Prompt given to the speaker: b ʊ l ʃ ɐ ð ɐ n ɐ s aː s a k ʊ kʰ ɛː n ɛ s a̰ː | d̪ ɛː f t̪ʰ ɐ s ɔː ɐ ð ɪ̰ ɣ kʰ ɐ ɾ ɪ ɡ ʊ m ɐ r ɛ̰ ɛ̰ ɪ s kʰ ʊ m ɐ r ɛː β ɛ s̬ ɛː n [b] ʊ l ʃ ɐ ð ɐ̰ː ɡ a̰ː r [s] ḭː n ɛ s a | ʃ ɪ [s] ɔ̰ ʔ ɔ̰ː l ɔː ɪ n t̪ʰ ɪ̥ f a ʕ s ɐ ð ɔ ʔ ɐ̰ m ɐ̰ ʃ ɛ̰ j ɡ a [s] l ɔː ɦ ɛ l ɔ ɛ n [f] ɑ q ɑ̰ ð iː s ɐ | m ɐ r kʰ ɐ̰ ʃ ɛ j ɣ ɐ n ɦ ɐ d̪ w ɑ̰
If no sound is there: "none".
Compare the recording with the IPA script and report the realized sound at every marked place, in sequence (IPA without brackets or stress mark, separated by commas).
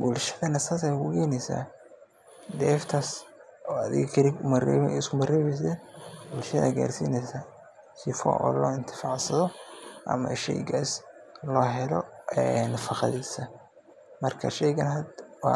b, s, f, s, f